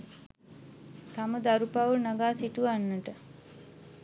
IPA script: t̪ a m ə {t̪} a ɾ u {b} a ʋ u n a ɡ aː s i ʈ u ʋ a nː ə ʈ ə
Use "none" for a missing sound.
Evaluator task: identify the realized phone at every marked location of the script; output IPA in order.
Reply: d̪, p

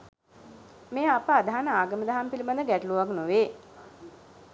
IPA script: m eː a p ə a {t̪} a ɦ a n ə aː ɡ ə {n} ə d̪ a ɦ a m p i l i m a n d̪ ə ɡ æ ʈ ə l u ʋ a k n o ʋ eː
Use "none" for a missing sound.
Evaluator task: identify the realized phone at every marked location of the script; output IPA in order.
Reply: d̪, m

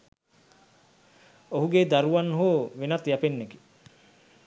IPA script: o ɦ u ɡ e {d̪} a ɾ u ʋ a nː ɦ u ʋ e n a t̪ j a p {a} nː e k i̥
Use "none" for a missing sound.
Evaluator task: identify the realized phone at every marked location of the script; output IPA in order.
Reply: d̪, e

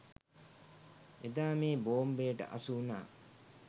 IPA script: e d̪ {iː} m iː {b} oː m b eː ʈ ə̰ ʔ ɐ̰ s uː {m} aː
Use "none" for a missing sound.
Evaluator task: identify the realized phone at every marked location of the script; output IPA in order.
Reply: aː, b, n

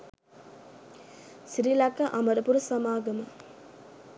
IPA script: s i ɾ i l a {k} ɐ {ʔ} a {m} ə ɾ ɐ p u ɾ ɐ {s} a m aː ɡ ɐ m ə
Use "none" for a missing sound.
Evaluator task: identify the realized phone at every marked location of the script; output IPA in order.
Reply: k, ʔ, m, s

